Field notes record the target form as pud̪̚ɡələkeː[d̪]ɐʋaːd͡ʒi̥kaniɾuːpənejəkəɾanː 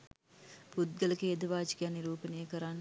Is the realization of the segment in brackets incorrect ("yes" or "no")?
no